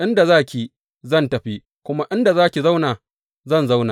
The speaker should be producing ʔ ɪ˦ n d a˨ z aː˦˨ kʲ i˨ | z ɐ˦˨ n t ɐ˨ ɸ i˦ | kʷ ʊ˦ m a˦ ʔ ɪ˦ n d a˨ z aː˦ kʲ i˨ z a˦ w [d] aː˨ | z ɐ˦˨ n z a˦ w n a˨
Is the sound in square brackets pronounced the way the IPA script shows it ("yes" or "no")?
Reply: no